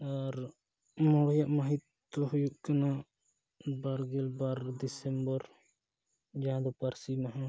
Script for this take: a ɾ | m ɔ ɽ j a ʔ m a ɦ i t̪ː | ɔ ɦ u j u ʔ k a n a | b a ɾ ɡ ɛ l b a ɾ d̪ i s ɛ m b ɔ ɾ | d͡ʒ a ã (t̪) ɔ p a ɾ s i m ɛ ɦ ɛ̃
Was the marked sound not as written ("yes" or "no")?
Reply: yes